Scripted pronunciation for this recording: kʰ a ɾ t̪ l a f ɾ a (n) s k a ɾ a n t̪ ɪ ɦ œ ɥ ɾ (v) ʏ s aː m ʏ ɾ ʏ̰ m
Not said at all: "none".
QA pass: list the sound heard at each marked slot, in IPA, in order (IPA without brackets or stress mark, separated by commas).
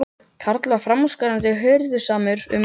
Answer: m, ð